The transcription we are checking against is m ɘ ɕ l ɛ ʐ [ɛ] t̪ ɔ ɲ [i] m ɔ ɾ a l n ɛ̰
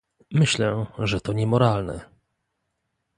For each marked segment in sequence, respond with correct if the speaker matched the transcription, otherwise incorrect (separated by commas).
correct, incorrect